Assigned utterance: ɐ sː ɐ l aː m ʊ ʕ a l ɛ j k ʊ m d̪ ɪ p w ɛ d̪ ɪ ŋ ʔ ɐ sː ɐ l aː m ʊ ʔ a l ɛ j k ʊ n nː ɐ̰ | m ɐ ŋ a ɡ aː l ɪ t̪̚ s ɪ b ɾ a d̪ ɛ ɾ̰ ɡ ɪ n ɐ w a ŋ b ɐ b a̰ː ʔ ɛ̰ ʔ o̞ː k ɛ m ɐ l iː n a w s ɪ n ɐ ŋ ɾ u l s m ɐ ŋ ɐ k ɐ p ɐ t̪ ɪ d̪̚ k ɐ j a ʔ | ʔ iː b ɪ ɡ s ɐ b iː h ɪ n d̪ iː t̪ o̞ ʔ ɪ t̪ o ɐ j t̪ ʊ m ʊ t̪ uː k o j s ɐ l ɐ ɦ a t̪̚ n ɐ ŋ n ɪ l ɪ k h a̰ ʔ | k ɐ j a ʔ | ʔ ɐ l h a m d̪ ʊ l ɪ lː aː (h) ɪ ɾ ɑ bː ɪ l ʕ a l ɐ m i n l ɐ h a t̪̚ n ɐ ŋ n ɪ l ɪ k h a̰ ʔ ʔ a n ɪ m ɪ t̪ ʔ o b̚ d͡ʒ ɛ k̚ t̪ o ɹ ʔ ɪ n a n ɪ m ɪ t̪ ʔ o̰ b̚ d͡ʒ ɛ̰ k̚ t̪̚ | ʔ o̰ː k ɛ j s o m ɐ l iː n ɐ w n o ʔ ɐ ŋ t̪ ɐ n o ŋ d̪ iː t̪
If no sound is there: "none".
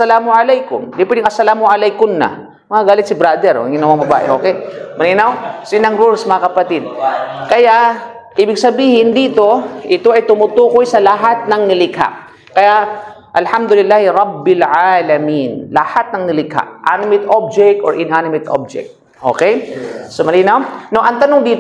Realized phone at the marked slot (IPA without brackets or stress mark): h